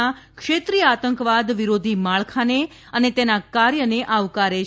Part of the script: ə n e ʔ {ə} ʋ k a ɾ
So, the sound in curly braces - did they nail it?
no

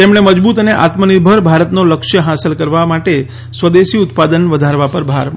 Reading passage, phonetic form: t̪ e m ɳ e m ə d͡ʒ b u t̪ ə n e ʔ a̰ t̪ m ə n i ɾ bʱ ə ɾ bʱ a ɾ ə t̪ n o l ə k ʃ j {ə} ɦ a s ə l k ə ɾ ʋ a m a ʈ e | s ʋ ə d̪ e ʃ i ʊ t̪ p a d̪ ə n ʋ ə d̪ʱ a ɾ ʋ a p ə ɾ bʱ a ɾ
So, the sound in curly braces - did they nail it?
yes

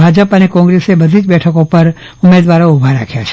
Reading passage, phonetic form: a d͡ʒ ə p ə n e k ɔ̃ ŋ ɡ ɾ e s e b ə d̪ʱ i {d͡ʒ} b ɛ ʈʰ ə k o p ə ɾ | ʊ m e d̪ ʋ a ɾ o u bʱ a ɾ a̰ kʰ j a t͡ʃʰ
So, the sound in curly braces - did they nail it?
yes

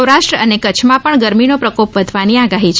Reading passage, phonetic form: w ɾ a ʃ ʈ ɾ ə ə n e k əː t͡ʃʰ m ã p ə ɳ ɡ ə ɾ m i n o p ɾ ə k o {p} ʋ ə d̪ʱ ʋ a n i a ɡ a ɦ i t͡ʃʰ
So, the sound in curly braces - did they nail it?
yes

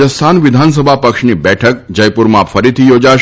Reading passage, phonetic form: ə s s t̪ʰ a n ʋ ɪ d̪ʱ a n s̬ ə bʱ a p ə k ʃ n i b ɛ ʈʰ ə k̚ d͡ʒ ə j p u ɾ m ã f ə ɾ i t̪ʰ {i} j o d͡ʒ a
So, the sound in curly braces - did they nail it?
yes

